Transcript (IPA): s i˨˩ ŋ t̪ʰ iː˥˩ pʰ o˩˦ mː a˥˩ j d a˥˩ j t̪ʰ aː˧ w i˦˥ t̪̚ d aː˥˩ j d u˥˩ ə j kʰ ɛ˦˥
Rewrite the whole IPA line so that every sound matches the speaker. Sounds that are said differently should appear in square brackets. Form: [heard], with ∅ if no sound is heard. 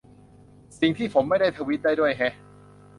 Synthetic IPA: s i˨˩ ŋ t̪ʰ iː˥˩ pʰ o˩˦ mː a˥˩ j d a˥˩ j t̪ʰ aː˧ w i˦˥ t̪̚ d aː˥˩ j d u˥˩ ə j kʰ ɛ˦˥